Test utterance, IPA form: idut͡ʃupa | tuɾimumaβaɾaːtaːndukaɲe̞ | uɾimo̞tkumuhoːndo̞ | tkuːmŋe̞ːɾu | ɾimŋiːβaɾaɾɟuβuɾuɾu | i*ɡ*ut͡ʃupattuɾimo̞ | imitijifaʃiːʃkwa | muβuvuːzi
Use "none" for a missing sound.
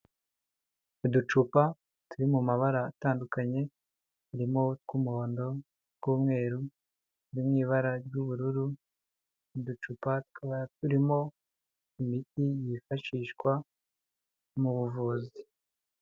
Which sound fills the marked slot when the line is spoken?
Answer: d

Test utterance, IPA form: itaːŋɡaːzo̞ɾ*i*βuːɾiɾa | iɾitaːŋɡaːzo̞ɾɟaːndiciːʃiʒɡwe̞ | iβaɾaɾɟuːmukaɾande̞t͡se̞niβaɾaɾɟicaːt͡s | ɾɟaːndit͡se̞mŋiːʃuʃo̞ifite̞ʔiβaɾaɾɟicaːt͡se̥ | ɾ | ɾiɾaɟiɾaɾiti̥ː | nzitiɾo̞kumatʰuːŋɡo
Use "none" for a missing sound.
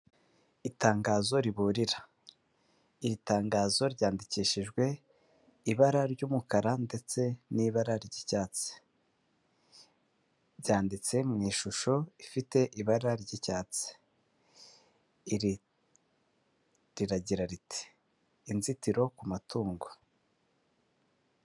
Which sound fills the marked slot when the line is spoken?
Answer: i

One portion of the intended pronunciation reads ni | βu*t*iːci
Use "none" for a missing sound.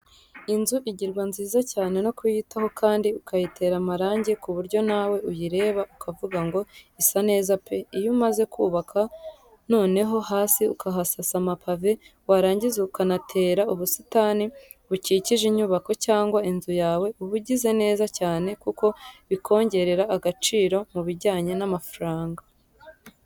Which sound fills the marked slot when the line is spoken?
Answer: c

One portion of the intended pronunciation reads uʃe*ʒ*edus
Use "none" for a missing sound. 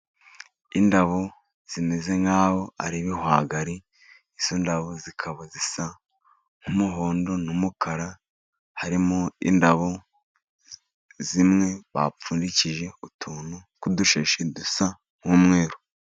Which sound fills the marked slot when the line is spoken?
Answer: ʃ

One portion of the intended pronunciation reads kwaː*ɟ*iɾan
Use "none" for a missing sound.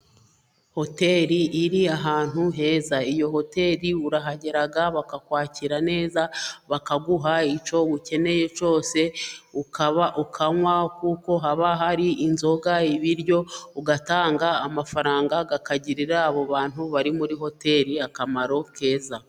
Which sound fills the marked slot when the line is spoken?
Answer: c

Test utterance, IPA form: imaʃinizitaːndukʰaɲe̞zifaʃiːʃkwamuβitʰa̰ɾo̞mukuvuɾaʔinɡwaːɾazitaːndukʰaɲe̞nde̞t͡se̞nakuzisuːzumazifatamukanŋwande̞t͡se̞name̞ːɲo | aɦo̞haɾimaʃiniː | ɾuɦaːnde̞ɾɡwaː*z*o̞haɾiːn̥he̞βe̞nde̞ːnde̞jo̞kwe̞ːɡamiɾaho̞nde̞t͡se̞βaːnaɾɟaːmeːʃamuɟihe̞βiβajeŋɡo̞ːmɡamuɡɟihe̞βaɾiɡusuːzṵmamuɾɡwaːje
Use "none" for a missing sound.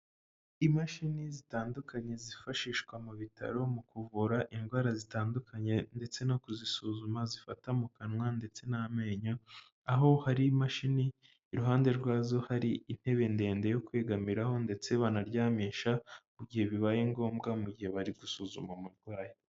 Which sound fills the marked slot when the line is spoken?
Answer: z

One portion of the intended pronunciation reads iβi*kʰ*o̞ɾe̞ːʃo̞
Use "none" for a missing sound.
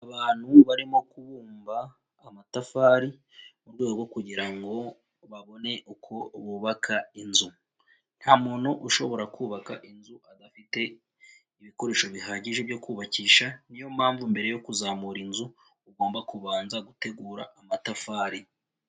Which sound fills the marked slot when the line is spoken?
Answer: k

